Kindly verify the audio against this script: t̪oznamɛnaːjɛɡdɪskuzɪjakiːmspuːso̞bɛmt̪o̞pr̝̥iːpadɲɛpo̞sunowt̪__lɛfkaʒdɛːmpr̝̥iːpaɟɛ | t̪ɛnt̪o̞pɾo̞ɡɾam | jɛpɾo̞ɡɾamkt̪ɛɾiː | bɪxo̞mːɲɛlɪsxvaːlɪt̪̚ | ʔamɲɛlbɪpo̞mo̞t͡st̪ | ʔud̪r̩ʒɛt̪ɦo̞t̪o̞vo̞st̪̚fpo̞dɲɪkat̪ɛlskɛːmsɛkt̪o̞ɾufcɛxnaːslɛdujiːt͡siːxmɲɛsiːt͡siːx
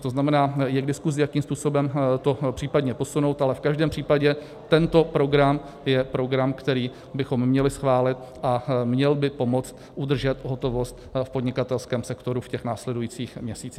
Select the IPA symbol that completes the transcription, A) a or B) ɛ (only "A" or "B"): A